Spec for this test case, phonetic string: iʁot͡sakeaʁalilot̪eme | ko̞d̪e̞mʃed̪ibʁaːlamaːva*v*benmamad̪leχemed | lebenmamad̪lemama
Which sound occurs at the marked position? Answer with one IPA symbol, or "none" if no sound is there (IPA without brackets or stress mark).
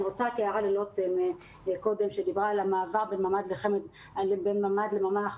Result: ʁ